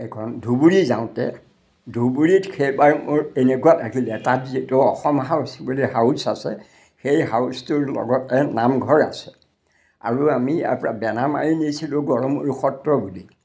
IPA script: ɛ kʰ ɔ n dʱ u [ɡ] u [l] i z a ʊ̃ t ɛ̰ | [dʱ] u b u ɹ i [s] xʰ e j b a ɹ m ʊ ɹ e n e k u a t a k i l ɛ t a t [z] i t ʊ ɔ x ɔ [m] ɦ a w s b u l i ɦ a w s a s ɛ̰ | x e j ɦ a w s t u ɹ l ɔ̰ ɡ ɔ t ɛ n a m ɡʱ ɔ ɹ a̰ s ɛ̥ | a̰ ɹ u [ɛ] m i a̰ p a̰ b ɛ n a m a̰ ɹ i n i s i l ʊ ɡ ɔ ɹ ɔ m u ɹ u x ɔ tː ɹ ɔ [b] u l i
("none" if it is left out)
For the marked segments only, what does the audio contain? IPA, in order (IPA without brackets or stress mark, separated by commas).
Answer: b, ɹ, dʱ, t, z, m, a, b